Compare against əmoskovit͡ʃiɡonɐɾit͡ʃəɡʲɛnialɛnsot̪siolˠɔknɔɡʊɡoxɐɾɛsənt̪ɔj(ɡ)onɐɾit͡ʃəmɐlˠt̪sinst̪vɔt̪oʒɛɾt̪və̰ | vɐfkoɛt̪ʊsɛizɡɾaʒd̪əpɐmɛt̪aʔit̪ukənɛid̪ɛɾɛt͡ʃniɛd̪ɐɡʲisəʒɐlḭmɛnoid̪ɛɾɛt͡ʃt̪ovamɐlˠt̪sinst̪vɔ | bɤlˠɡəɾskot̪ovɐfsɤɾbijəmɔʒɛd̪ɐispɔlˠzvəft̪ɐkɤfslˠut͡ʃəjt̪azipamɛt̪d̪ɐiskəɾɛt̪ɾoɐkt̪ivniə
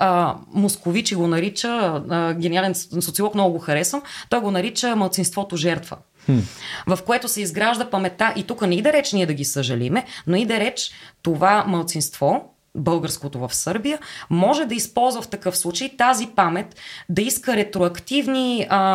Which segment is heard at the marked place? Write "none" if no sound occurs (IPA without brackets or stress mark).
ɡ